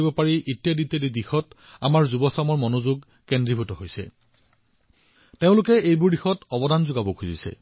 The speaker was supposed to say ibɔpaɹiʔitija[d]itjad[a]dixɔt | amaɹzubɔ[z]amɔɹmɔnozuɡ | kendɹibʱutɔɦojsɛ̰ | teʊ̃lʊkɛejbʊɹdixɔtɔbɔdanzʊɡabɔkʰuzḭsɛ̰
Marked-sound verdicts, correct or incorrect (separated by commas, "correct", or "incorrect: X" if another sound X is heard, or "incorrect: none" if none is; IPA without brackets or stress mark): correct, incorrect: i, incorrect: s